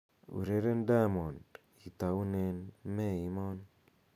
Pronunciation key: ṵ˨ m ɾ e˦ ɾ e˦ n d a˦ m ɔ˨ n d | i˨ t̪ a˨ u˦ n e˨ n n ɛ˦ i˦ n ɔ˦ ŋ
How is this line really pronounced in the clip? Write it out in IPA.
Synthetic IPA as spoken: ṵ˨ ɾ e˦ ɾ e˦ n d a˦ m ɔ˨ n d | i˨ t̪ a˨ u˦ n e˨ n m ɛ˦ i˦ m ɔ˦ n